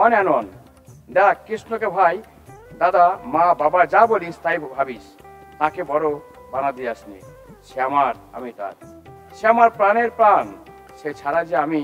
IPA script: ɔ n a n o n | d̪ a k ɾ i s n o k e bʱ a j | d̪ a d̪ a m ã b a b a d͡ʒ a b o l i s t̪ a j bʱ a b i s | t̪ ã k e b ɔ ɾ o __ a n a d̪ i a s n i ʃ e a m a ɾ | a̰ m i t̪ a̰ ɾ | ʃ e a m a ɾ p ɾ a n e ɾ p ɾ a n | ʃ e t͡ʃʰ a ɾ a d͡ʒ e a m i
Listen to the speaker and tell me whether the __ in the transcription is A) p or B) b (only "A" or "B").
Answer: B